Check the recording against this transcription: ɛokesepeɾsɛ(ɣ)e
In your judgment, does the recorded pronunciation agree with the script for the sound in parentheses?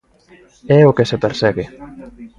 yes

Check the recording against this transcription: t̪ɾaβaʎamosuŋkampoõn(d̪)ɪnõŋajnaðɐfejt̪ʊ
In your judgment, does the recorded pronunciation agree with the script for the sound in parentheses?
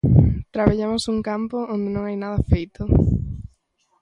yes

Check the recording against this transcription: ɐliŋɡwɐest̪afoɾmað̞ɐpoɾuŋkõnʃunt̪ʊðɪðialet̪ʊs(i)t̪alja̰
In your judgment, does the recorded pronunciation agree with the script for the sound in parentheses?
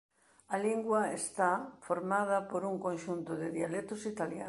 yes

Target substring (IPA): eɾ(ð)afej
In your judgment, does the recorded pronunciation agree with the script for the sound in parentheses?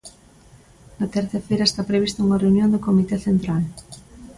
no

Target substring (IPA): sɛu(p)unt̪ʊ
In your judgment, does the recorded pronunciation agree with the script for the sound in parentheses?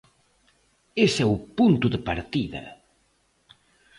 yes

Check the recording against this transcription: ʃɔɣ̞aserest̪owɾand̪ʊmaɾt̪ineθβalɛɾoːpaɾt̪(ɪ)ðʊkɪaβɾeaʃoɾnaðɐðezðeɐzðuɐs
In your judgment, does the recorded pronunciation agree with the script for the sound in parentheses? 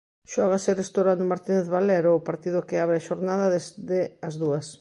no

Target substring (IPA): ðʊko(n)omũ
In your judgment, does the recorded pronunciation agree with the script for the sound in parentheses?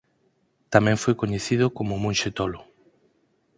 no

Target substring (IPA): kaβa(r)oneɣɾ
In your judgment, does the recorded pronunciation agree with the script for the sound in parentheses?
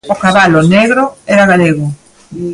no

